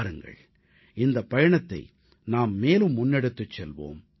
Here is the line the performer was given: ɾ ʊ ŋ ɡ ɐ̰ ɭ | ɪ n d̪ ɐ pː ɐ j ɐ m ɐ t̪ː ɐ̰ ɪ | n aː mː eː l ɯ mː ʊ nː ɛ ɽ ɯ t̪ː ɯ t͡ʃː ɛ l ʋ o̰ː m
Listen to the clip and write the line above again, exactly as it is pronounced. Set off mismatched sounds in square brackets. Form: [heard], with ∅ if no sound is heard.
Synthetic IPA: ɾ [ɯ] ŋ ɡ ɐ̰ ɭ | ɪ n d̪ ɐ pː ɐ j ɐ [ɳ] ɐ t̪ː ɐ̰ ɪ | n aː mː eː l ɯ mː ʊ nː ɛ ɽ ɯ t̪ː ɯ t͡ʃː ɛ l ʋ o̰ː m